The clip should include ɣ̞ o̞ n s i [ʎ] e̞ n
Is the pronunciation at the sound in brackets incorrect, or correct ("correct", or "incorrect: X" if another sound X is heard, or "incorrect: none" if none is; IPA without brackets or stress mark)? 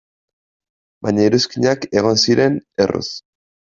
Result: incorrect: ɾ